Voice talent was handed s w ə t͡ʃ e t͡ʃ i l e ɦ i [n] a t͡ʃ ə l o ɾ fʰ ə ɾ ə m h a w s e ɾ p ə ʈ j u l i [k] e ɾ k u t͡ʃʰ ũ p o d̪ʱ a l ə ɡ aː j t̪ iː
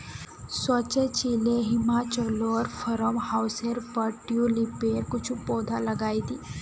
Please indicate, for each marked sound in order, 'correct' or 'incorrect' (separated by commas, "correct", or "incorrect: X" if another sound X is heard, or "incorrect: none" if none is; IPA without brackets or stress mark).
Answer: incorrect: m, incorrect: p